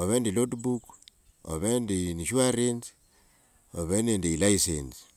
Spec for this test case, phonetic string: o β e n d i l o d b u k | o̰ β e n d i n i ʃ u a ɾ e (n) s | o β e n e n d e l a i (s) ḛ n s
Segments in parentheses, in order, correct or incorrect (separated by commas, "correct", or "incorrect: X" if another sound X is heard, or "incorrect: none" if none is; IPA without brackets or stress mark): correct, correct